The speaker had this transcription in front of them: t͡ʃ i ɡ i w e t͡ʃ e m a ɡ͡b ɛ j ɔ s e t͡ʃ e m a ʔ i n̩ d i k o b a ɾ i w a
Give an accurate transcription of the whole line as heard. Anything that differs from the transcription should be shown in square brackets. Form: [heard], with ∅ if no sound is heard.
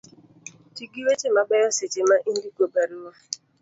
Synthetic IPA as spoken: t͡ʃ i ɡ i w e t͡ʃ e m a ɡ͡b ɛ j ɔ s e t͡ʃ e m a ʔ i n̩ d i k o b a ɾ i w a